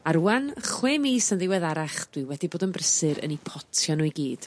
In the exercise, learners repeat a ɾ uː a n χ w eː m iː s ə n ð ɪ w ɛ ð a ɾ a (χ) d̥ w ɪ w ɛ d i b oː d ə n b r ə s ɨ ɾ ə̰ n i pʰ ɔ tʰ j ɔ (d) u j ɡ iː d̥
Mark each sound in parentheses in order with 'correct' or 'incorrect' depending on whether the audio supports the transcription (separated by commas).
correct, incorrect